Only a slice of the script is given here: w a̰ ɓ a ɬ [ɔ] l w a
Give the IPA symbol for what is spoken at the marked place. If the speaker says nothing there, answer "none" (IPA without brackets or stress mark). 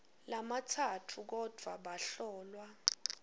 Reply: ɔː